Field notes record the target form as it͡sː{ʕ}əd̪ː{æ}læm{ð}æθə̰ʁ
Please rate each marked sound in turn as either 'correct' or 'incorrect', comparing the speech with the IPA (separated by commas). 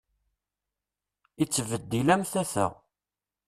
incorrect, incorrect, incorrect